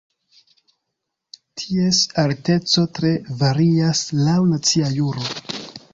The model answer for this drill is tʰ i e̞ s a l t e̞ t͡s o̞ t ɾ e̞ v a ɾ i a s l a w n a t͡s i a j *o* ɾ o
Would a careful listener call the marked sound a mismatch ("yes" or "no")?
yes